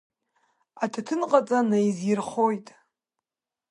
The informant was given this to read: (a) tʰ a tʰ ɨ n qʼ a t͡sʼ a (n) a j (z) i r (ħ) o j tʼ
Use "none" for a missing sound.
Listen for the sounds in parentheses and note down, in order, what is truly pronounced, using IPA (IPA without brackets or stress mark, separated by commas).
a, n, z, χ